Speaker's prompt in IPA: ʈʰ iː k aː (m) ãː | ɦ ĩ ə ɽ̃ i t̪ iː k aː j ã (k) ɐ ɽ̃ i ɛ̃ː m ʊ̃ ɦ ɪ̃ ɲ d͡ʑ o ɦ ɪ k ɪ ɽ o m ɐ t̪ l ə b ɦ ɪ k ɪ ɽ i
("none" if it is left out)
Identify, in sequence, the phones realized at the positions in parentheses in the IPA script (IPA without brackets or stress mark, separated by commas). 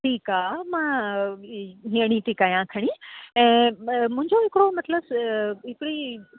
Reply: m, kʰ